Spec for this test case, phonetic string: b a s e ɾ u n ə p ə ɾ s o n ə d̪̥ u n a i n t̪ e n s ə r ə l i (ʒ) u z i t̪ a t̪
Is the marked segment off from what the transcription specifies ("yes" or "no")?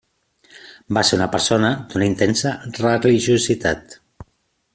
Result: no